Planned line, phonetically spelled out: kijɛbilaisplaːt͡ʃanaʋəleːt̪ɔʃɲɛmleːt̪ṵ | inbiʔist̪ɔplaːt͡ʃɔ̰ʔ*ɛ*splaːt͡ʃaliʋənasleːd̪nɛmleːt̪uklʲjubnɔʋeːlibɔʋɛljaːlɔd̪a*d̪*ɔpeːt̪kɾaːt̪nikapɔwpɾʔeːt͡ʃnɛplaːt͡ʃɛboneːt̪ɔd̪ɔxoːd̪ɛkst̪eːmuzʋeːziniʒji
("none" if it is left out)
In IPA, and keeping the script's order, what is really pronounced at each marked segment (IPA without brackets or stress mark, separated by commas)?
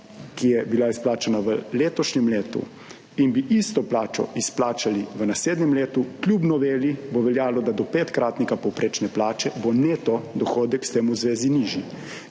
i, d̪